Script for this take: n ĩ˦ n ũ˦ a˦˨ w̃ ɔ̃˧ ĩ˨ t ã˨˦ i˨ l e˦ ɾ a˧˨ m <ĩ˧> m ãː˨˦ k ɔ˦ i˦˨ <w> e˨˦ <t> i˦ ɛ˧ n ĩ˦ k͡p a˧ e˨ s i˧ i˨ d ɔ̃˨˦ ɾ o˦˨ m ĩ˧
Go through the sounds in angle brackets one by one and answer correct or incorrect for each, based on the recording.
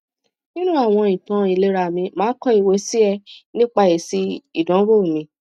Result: correct, correct, incorrect: s

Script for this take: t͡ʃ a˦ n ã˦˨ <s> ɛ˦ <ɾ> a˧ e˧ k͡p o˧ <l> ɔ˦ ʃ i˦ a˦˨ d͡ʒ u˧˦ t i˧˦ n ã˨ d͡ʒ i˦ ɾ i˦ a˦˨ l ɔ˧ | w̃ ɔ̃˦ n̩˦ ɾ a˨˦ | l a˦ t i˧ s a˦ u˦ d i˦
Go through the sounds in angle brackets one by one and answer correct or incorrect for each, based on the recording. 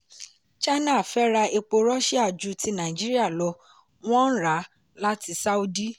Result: incorrect: f, correct, incorrect: ɾ

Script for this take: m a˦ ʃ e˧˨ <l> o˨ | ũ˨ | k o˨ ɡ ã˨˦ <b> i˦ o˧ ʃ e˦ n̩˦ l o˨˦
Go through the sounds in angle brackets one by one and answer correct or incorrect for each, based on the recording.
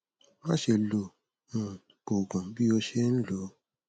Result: correct, correct

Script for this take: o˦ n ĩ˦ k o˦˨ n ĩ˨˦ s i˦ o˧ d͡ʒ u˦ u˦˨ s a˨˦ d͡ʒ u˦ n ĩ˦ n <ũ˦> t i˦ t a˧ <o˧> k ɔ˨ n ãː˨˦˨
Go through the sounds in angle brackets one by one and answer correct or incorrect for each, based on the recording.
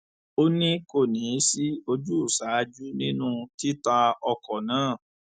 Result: correct, incorrect: ɔ˧

